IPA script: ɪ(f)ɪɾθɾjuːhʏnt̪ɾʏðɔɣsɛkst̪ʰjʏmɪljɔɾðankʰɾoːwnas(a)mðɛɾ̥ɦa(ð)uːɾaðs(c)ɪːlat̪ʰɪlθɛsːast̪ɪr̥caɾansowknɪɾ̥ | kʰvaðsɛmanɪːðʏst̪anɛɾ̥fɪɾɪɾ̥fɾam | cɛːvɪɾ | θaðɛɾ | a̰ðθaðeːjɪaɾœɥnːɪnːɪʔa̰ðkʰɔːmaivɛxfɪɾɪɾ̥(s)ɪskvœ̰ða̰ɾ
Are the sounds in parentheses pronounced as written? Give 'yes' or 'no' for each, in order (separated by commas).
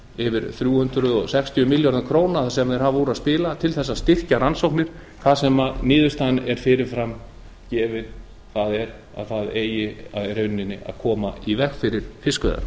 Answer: no, no, no, no, no